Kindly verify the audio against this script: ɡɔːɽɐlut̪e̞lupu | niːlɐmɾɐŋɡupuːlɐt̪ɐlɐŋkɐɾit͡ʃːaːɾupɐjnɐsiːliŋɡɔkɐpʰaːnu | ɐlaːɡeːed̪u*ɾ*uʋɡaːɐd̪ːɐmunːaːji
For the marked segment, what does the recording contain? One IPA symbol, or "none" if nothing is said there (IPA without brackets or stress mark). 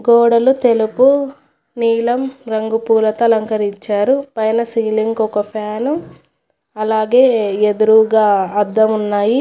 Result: ɾ